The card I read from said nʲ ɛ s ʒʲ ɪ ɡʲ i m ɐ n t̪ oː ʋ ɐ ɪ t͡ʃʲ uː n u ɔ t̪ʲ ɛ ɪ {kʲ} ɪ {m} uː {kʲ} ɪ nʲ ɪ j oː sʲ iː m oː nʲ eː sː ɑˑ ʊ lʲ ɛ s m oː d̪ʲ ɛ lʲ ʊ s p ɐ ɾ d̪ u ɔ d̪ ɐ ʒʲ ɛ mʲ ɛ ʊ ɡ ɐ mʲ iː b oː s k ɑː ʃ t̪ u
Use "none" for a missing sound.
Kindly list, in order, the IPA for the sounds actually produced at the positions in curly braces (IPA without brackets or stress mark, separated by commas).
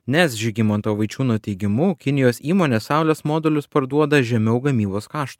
ɡʲ, m, kʲ